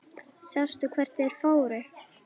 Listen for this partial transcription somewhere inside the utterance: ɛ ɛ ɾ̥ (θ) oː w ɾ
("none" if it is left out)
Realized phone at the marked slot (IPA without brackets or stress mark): f